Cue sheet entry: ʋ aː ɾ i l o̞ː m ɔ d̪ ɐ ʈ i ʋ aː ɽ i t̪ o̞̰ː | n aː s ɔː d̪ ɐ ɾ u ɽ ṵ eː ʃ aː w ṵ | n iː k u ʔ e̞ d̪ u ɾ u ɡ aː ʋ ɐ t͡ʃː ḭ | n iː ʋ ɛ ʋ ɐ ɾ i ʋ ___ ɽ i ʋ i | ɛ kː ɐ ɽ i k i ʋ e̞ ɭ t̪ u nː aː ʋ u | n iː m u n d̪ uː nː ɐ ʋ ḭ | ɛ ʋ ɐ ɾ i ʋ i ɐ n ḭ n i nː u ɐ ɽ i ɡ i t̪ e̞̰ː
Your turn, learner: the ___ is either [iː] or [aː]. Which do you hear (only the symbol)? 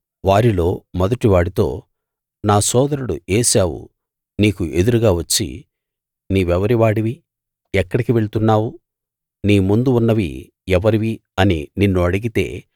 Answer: aː